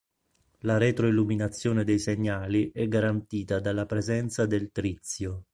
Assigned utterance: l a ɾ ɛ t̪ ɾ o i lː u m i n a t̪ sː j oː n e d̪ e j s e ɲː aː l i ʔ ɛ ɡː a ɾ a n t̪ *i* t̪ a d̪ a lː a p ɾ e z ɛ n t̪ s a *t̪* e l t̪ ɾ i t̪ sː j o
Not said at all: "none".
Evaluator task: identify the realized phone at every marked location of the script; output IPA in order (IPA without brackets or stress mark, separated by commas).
iː, d̪